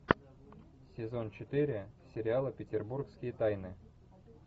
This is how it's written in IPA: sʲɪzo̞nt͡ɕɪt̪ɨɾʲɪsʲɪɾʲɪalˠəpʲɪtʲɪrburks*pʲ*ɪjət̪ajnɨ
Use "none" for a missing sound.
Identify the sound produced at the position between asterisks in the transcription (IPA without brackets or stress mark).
kʲ